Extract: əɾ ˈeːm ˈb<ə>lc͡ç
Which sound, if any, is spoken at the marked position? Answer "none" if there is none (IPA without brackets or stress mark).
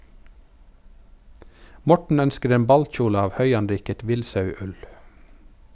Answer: ɑ